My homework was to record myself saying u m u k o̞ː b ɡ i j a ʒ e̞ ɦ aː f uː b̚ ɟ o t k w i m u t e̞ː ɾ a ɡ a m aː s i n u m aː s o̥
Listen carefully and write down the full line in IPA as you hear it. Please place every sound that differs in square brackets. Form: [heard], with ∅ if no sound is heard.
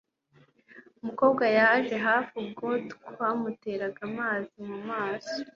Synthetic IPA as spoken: u m u k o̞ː b ɡ [a] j a ʒ e̞ ɦ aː f [u] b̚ [ɡ] o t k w [a] m u t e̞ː ɾ a ɡ a m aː [z] i [m] u m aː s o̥